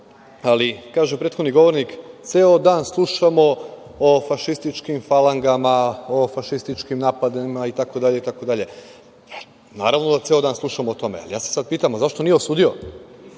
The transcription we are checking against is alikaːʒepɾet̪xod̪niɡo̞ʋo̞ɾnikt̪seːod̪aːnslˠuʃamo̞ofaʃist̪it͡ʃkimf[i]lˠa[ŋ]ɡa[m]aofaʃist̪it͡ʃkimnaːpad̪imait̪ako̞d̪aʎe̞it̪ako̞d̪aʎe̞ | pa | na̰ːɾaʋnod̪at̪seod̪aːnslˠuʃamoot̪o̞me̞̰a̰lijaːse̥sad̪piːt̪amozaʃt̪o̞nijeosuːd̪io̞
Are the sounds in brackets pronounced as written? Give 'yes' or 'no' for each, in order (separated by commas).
no, yes, yes